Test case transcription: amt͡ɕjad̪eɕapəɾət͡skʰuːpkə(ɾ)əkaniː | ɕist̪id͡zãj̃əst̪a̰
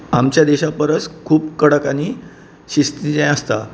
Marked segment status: incorrect: ɽ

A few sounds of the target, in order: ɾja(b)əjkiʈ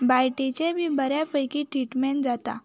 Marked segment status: incorrect: p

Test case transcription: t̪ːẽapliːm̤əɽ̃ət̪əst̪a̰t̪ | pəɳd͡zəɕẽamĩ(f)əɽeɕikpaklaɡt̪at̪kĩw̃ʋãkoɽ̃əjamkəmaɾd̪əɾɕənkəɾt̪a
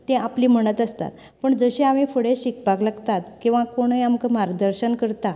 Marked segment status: correct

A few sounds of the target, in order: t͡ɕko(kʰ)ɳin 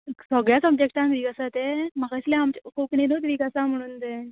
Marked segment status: incorrect: k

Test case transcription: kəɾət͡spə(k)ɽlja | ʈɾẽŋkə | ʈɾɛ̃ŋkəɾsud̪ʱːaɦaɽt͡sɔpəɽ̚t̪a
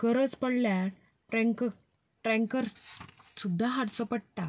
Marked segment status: incorrect: none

